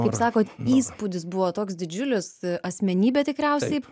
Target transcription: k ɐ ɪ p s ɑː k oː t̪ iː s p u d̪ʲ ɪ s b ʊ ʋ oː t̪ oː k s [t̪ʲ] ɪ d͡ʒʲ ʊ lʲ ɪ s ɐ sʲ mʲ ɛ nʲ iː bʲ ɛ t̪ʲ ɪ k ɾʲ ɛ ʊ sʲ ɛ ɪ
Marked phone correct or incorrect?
incorrect